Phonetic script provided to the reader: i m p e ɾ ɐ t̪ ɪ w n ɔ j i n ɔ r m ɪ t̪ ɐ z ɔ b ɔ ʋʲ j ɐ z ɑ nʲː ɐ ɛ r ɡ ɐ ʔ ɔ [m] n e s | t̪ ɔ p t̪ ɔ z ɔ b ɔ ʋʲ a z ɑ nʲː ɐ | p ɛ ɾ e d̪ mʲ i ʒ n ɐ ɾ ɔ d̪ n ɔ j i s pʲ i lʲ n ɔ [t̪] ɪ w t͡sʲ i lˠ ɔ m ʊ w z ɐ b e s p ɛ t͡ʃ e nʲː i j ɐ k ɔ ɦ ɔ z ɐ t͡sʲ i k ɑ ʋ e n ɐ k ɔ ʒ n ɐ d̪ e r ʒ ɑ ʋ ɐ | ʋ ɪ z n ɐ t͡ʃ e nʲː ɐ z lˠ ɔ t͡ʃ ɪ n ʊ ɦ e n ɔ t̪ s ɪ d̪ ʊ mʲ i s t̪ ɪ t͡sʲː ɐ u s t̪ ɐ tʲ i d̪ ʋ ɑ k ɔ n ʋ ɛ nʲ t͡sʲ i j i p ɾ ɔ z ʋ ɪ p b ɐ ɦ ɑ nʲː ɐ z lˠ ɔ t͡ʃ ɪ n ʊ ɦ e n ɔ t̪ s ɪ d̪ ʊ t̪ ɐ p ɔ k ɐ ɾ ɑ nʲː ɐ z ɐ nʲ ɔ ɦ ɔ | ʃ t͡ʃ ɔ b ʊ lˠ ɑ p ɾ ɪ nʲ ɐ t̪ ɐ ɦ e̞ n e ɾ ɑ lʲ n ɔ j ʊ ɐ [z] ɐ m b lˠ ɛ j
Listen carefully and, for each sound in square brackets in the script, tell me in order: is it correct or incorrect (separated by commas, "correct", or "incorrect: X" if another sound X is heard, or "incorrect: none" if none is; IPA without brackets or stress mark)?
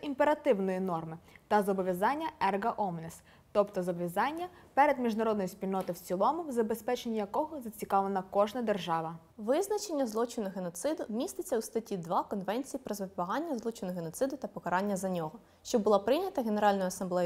correct, correct, incorrect: s